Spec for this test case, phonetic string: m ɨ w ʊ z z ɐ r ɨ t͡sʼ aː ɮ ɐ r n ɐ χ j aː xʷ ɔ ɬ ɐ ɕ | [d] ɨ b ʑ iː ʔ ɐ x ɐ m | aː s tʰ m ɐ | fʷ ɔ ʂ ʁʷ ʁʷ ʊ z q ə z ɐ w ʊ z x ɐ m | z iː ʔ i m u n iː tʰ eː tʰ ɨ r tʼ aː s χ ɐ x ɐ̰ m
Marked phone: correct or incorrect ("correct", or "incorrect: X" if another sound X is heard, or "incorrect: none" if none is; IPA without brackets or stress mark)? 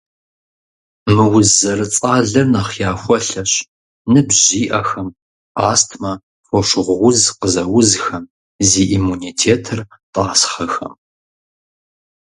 incorrect: n